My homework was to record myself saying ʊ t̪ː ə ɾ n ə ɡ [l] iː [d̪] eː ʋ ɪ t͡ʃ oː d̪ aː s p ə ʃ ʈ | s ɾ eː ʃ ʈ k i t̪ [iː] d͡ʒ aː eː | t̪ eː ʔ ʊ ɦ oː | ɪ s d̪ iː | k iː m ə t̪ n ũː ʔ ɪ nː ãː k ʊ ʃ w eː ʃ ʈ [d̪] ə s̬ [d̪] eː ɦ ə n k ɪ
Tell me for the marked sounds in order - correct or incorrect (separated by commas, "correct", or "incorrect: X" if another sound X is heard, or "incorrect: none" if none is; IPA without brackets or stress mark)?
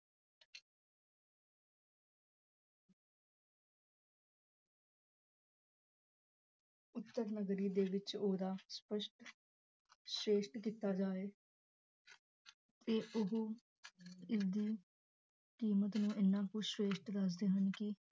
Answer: incorrect: ɾ, correct, incorrect: aː, correct, correct